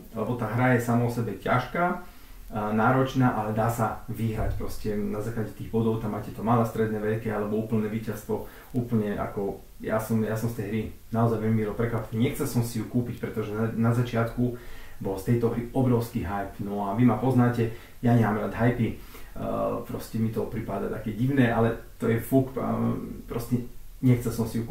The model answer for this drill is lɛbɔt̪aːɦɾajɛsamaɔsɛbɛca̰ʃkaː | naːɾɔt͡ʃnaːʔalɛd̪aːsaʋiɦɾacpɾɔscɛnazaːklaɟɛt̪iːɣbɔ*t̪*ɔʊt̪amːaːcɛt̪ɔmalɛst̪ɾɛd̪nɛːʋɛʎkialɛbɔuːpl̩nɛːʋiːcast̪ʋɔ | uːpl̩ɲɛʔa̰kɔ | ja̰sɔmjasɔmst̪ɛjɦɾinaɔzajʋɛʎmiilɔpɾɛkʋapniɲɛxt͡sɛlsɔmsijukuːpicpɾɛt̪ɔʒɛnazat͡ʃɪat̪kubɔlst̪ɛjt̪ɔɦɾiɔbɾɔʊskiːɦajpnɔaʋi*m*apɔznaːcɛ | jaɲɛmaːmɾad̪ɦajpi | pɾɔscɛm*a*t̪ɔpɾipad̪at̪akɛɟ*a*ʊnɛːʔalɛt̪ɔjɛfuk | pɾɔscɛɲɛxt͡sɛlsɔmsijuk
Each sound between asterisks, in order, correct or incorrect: incorrect, correct, incorrect, incorrect

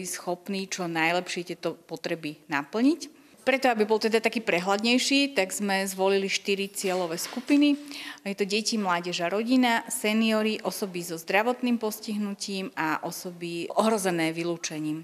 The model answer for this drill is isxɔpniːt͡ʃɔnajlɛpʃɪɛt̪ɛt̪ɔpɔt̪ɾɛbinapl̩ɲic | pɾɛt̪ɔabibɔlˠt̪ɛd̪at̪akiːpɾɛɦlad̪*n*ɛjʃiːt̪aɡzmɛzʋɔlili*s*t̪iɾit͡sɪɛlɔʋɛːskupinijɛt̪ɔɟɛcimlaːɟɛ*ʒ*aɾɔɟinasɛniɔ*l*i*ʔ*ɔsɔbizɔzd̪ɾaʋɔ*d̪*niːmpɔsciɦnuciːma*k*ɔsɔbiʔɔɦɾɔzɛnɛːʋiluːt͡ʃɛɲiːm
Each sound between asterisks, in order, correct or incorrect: incorrect, incorrect, correct, incorrect, correct, incorrect, incorrect

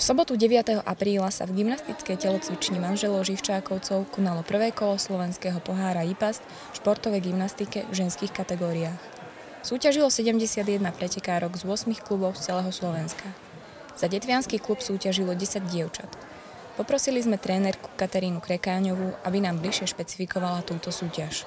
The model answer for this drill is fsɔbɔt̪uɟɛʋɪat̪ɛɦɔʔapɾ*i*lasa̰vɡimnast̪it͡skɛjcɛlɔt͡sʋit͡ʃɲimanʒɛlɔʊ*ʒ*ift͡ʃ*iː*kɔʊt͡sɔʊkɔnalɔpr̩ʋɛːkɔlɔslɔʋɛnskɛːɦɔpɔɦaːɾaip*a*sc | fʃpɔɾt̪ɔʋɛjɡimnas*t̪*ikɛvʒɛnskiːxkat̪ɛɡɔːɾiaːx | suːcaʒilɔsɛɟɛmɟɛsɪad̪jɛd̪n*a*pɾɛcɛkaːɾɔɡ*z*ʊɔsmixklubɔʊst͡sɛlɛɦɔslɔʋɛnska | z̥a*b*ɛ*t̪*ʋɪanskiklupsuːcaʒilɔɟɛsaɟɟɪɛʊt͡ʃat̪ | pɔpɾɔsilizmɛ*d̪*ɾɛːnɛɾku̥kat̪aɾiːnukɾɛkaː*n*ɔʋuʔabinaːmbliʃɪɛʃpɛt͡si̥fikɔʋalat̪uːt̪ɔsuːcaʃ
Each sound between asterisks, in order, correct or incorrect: incorrect, correct, incorrect, correct, correct, correct, correct, incorrect, correct, incorrect, incorrect

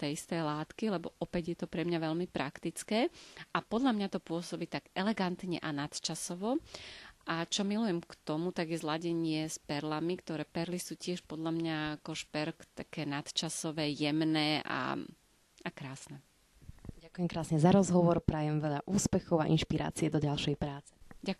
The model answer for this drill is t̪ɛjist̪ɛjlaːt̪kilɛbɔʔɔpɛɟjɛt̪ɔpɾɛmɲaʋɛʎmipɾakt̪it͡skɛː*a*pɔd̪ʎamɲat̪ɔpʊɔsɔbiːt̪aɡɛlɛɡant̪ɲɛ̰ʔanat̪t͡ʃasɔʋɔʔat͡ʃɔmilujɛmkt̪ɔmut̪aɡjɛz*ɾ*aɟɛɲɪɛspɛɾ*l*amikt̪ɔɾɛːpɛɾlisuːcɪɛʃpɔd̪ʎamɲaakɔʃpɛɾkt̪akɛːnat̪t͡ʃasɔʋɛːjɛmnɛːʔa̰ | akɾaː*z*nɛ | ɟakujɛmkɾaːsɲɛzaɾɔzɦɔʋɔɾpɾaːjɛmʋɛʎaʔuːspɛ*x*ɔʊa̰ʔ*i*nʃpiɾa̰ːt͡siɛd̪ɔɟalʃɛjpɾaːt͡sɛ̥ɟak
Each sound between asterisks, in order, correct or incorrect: correct, incorrect, correct, incorrect, correct, correct

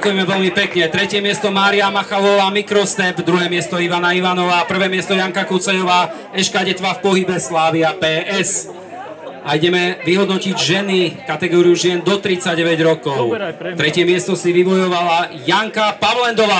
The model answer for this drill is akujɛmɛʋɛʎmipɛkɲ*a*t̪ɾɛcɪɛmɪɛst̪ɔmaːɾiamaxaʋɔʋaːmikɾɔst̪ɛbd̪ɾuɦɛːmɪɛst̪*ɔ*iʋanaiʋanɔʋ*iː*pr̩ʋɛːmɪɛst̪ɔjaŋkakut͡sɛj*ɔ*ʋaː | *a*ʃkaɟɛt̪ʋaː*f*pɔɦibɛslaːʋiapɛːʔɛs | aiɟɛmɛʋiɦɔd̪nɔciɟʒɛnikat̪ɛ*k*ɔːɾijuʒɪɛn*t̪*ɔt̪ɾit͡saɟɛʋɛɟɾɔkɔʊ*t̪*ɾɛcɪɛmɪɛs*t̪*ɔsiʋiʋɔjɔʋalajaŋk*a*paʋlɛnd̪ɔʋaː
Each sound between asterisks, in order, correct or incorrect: incorrect, correct, incorrect, correct, incorrect, correct, incorrect, incorrect, correct, correct, correct

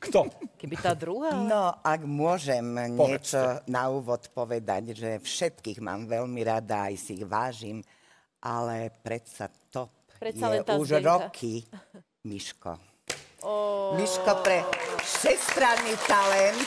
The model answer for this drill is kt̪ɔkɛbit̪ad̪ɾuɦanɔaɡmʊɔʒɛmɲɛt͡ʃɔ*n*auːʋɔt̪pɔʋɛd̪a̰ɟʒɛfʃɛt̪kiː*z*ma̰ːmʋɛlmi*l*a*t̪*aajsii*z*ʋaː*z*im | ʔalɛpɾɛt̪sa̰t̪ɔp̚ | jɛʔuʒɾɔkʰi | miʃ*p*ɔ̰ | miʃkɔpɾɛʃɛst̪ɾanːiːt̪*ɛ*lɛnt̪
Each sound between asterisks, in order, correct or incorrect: correct, incorrect, incorrect, incorrect, incorrect, incorrect, incorrect, incorrect

